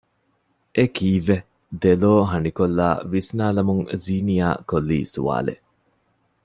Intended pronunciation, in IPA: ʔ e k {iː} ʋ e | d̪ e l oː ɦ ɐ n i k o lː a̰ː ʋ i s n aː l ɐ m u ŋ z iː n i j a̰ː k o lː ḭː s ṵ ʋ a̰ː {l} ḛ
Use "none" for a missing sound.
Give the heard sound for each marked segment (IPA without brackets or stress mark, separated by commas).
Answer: iː, l